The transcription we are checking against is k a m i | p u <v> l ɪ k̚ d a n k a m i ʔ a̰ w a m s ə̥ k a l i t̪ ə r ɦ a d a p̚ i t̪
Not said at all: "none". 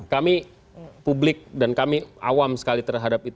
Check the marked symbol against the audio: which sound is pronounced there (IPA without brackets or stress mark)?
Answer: b